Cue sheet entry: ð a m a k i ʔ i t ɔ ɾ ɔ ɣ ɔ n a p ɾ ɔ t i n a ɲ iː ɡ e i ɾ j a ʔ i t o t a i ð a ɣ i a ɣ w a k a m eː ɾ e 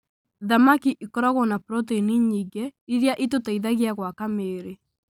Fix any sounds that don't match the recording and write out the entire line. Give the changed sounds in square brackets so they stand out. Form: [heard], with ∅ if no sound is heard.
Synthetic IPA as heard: ð a m a k i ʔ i [k] ɔ ɾ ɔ ɣ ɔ n a p ɾ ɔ t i n [i] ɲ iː ɡ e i ɾ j a ʔ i t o t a i ð a ɣ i a ɣ w a k a m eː ɾ e